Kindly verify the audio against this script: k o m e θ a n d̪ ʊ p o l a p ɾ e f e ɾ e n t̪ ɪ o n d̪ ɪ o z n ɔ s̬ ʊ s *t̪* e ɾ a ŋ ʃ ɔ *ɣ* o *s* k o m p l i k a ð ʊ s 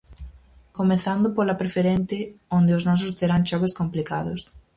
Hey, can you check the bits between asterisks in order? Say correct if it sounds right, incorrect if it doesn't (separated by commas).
correct, correct, correct